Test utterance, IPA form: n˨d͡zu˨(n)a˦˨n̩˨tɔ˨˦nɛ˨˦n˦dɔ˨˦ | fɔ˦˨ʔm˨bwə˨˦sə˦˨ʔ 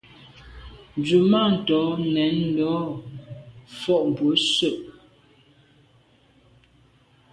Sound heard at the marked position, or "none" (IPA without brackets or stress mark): m